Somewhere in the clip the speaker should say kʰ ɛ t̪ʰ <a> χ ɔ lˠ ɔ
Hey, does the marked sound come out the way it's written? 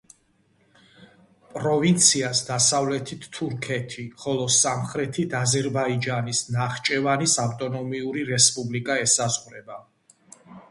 no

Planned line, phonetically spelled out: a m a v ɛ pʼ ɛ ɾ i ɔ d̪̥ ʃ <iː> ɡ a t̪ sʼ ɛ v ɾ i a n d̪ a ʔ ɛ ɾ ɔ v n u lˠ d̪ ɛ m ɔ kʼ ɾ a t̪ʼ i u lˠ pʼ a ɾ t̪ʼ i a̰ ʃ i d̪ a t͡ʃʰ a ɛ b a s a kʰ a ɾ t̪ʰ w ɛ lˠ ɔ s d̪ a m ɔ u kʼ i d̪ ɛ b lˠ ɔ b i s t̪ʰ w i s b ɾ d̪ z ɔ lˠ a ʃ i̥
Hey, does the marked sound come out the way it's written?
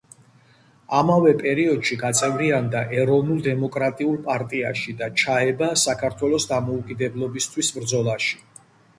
no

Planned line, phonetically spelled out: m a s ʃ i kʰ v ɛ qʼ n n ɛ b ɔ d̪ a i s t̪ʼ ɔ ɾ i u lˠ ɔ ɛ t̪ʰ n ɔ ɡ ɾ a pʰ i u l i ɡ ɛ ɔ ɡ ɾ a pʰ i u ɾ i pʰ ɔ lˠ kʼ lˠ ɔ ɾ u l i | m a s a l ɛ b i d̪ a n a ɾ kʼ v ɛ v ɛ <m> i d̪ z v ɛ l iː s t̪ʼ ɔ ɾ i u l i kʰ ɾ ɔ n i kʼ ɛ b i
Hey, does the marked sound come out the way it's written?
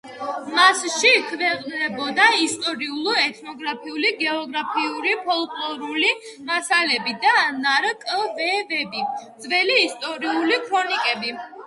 no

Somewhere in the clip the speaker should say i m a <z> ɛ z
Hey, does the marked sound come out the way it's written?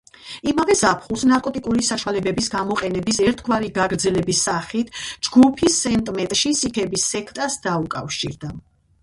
no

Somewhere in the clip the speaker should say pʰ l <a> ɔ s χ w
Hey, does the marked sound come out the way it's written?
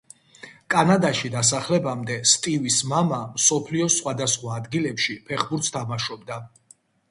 no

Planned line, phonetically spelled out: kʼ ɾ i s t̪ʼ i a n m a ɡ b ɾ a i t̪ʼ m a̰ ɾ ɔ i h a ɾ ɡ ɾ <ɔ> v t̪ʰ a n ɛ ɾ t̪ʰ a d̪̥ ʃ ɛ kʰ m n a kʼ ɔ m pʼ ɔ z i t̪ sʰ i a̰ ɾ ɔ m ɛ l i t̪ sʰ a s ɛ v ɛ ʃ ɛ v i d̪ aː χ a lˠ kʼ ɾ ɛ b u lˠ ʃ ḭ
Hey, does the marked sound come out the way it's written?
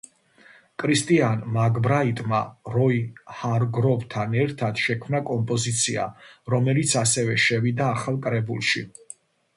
yes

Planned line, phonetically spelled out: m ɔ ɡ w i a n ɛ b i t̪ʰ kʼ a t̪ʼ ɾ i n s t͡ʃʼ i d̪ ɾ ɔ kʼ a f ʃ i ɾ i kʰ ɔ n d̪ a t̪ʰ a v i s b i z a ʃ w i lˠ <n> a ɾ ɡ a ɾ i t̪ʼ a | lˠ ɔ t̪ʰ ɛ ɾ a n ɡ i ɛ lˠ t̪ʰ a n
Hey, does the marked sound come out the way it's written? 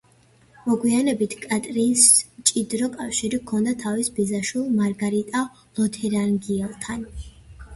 no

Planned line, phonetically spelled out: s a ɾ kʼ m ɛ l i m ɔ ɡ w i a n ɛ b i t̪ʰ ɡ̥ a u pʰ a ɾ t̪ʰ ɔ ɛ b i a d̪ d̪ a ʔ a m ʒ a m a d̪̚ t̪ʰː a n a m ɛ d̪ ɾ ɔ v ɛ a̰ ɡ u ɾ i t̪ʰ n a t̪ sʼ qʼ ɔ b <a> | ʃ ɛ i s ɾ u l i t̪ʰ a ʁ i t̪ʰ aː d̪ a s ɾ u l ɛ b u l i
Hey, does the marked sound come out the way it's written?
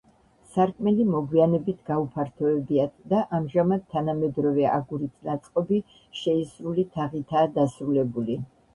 no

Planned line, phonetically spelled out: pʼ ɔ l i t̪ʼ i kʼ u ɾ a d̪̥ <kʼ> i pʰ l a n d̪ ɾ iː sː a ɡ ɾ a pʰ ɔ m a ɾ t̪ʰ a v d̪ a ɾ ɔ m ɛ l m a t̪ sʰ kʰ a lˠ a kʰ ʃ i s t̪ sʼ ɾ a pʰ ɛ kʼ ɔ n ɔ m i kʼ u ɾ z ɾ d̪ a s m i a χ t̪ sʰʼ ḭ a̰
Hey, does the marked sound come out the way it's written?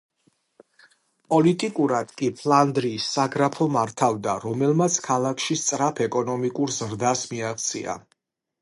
yes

